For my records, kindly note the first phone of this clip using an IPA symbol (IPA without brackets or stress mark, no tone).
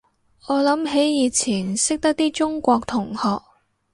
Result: ɔː